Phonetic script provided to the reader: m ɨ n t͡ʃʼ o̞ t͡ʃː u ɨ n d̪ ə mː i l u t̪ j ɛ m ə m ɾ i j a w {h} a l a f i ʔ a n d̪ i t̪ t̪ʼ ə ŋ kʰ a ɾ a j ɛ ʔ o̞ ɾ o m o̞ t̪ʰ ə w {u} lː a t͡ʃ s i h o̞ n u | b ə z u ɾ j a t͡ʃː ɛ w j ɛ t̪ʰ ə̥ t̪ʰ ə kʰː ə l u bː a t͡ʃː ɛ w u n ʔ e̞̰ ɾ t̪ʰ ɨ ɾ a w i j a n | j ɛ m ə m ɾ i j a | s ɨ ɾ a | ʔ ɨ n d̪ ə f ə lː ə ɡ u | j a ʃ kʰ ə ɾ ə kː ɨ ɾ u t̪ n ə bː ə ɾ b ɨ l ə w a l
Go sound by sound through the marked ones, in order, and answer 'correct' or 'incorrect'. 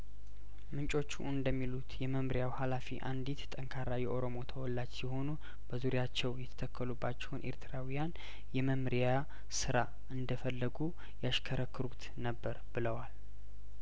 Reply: correct, incorrect: ɔ

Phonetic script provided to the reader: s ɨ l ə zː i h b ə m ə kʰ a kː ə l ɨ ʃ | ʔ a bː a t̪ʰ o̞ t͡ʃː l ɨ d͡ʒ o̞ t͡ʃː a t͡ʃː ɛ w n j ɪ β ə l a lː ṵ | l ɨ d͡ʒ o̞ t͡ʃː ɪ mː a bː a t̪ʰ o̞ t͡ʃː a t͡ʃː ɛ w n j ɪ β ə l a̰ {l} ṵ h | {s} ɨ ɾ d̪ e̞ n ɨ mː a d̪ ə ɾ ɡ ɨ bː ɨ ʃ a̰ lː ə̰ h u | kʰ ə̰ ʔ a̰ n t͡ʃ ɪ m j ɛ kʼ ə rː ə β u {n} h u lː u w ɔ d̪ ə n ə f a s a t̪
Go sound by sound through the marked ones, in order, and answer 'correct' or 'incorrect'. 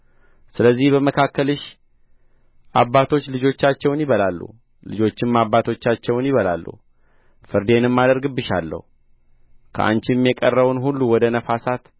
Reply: incorrect: lː, incorrect: f, correct

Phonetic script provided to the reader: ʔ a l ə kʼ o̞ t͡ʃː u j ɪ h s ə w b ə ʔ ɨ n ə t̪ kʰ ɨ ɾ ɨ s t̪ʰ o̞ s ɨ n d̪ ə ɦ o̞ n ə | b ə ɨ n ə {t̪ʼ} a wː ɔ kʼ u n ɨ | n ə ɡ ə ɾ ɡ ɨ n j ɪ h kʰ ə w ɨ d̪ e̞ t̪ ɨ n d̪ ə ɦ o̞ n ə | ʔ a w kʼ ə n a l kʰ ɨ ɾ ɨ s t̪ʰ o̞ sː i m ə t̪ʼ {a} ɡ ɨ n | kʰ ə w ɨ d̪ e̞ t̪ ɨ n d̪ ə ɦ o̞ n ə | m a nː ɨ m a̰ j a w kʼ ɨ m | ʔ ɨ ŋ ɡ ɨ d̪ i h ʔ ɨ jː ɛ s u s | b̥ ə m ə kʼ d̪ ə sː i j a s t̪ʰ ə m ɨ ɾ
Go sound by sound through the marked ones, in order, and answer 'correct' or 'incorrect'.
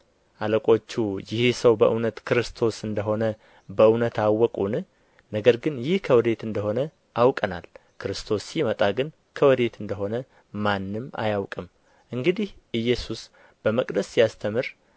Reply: incorrect: t̪, correct

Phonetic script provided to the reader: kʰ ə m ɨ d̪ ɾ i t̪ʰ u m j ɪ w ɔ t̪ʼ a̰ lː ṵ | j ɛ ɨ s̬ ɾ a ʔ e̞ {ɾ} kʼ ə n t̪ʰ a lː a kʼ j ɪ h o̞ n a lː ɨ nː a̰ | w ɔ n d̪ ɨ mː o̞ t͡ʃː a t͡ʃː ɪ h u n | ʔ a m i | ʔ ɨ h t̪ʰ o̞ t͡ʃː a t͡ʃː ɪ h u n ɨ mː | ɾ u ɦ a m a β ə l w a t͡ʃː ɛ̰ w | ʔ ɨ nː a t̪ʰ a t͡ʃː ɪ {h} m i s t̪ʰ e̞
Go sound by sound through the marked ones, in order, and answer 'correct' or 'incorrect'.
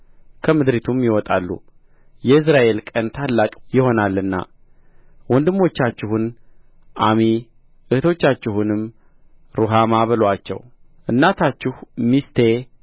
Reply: incorrect: l, correct

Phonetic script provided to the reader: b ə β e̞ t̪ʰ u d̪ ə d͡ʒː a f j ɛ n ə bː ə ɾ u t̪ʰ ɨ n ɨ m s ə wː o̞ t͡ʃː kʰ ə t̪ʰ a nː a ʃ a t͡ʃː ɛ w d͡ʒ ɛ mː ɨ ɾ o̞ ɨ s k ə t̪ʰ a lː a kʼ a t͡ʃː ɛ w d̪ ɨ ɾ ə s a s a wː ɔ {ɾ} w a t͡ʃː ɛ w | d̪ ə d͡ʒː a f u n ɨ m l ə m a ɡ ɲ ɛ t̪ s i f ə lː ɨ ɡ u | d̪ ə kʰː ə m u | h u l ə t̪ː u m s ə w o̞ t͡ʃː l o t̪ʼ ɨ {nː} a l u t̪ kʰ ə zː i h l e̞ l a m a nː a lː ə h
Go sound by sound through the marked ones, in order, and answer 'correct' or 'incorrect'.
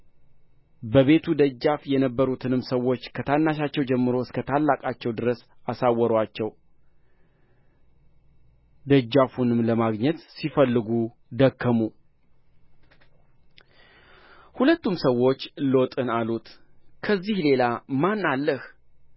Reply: correct, incorrect: n

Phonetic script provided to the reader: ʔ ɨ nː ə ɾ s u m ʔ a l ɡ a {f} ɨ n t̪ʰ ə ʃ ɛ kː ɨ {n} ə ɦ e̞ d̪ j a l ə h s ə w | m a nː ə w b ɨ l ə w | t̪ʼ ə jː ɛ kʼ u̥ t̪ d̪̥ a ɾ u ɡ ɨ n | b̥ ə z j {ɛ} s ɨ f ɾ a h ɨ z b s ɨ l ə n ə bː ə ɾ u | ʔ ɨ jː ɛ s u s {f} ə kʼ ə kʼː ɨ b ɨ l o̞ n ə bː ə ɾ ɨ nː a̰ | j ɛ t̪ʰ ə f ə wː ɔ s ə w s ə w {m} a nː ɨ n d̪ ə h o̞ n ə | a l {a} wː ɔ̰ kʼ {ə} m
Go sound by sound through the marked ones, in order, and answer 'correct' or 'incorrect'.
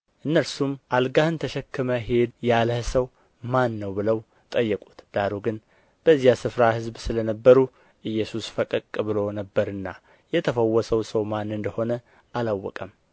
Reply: incorrect: h, incorrect: m, incorrect: a, correct, correct, correct, correct

